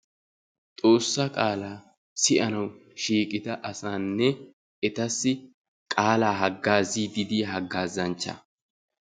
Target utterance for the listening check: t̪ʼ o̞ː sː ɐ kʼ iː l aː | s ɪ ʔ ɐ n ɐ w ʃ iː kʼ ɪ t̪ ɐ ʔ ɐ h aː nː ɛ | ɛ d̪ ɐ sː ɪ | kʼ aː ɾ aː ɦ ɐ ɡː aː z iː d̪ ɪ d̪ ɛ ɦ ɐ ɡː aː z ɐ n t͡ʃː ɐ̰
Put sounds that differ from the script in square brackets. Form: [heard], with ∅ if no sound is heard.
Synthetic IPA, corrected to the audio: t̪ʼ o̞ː sː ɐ kʼ [aː] l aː | s ɪ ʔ ɐ n ɐ w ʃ iː kʼ ɪ t̪ ɐ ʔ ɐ [s] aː nː ɛ | ɛ [t̪] ɐ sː ɪ | kʼ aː [l] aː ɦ ɐ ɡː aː z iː d̪ ɪ d̪ [i] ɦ ɐ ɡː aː z ɐ n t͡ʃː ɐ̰